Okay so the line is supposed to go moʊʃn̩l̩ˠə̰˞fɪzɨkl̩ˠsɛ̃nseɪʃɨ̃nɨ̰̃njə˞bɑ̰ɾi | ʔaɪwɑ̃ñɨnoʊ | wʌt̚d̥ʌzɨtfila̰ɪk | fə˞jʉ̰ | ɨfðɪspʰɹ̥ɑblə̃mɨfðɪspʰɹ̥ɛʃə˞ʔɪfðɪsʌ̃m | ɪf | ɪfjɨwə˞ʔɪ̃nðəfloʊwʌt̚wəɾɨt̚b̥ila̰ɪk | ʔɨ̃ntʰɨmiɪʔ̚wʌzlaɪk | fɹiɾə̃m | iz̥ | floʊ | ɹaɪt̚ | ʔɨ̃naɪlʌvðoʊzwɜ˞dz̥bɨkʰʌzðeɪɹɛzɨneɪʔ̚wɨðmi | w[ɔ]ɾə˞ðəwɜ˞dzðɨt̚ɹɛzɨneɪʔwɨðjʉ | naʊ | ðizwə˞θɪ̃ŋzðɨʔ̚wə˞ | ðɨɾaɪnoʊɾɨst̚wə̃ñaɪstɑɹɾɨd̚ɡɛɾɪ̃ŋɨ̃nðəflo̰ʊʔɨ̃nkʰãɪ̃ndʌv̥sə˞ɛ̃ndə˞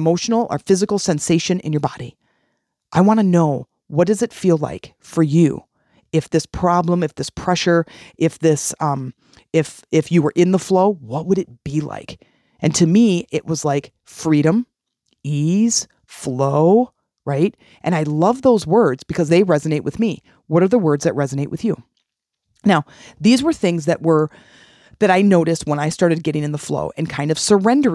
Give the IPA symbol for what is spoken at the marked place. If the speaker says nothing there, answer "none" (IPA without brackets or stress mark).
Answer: ʌ